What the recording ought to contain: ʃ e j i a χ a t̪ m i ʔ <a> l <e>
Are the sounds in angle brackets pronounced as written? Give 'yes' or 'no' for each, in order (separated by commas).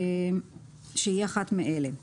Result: no, yes